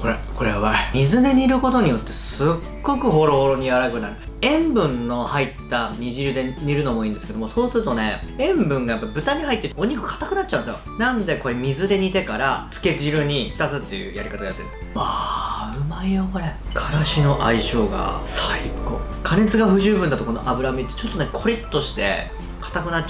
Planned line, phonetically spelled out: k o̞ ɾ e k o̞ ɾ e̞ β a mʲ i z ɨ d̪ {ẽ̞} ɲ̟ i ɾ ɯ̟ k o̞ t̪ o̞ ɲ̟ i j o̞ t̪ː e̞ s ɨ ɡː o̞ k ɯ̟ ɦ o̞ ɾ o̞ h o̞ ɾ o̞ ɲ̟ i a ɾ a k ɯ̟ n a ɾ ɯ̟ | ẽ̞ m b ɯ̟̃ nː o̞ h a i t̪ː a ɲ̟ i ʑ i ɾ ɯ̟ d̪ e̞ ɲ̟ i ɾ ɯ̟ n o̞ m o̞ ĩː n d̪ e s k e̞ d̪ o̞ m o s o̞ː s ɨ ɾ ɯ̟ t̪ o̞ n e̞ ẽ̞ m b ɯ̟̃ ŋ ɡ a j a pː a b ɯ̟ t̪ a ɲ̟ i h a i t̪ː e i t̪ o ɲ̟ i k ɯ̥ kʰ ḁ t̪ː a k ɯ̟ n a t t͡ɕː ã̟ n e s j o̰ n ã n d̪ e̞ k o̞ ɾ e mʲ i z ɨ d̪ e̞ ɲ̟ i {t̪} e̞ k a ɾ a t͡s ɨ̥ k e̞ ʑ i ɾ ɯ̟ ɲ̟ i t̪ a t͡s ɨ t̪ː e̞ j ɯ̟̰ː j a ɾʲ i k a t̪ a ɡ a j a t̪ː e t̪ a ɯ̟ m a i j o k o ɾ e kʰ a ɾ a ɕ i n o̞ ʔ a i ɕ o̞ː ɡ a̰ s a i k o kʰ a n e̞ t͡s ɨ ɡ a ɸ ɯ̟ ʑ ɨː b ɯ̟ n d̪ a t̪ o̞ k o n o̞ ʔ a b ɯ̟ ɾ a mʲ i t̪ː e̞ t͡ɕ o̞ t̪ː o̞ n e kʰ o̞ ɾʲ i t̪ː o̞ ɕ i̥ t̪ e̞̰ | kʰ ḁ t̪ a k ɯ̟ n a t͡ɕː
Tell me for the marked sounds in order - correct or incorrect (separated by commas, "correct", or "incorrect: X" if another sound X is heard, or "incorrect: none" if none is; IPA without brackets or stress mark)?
incorrect: e̞, correct